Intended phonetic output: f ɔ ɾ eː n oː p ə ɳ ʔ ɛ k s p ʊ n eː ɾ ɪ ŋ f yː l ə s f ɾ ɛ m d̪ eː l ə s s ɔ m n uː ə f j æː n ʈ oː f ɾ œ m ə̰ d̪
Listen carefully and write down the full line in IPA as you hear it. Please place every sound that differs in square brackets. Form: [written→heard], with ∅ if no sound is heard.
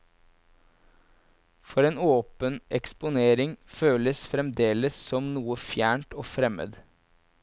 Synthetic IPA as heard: f ɔ ɾ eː n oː p ə [ɳ→n] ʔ ɛ k s p ʊ n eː ɾ ɪ ŋ f [yː→øː] l ə s f ɾ ɛ m d̪ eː l ə s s ɔ m n uː ə f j æː [n→ɳ] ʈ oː f ɾ [œ→ɛ] m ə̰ d̪

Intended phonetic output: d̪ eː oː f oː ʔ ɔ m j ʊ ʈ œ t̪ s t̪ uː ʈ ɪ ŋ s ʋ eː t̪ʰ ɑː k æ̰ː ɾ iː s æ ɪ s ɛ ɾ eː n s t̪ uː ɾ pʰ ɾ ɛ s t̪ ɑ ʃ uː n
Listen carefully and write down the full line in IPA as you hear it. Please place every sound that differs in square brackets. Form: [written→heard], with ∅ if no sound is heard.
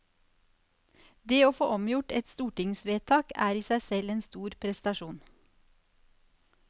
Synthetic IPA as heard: d̪ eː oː f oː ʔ ɔ m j ʊ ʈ [œ→ɛ] t̪ s t̪ uː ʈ ɪ ŋ s ʋ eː t̪ʰ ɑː k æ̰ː ɾ iː s æ ɪ s ɛ [ɾ→l] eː n s t̪ uː ɾ pʰ ɾ ɛ s t̪ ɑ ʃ uː n

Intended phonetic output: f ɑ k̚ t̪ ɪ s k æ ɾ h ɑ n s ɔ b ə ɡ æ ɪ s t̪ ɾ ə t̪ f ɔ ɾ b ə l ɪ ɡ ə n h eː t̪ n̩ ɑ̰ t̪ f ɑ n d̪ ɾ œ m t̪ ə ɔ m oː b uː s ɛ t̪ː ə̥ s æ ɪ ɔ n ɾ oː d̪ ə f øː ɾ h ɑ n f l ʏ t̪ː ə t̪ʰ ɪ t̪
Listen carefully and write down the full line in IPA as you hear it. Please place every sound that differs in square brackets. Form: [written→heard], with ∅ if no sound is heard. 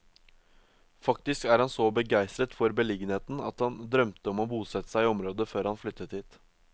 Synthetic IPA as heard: f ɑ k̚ t̪ ɪ s k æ ɾ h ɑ n s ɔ b ə ɡ æ ɪ s t̪ ɾ ə t̪ f ɔ ɾ b ə l ɪ ɡ ə n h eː t̪ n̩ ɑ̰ t̪ [f→h] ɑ n d̪ ɾ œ m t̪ ə ɔ m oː b uː s ɛ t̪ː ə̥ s æ ɪ ɔ [n→m] ɾ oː d̪ ə f øː ɾ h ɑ n f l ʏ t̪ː ə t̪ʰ ɪ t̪

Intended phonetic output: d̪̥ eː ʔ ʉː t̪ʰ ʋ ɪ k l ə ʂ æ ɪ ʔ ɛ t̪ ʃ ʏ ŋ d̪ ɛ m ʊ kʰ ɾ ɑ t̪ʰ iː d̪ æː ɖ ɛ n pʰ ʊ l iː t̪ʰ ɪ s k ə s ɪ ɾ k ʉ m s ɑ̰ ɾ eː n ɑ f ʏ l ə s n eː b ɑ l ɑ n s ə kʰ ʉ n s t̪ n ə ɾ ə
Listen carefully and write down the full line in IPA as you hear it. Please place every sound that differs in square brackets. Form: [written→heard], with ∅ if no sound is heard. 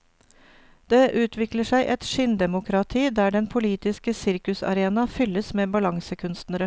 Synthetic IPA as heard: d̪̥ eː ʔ ʉː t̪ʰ ʋ ɪ k l ə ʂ æ ɪ ʔ ɛ t̪ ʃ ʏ [ŋ→n] d̪ ɛ m ʊ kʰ ɾ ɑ t̪ʰ iː d̪ æː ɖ ɛ n pʰ ʊ l iː [t̪ʰ→t̪] ɪ s k ə s ɪ ɾ k ʉ [m→∅] s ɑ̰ ɾ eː n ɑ f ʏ l ə s [n→m] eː b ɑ l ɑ [n→ŋ] s ə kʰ ʉ n s t̪ n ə ɾ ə

